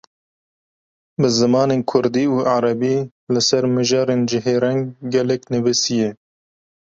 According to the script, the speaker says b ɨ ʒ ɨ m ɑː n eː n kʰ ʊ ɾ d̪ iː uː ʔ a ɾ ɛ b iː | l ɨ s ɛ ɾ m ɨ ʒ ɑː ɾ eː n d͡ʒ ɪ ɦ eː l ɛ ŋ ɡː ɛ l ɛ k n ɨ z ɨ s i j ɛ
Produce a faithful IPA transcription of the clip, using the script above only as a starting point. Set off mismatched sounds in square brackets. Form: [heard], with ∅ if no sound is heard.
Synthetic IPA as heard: b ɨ [z] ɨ m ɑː n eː n kʰ ʊ ɾ d̪ iː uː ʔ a ɾ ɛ b iː | l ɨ s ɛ ɾ m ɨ ʒ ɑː ɾ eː n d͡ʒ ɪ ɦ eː [ɾ] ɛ ŋ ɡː ɛ l ɛ k n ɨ [v] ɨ s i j ɛ